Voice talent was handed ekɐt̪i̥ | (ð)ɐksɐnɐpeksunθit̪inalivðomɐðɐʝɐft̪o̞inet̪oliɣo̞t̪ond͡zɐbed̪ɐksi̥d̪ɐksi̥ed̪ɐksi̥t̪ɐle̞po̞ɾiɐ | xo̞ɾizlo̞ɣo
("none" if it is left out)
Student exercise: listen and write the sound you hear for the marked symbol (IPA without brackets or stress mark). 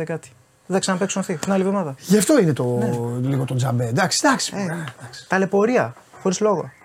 ð